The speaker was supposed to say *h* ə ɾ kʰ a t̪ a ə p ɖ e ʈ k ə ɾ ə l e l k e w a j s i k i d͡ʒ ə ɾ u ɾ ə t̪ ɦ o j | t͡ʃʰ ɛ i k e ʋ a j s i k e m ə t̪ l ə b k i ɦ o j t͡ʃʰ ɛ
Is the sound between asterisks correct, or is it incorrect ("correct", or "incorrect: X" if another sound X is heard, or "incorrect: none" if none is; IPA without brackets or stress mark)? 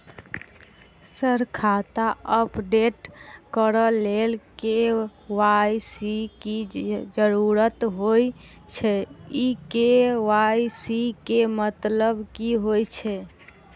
incorrect: s